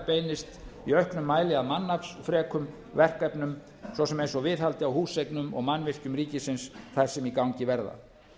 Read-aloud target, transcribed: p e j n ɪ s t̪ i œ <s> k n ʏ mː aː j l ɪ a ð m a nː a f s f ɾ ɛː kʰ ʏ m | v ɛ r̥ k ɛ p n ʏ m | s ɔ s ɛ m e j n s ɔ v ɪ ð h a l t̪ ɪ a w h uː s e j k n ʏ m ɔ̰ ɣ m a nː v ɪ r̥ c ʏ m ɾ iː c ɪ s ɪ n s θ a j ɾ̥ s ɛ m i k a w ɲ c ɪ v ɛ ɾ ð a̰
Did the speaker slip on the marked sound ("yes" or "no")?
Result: yes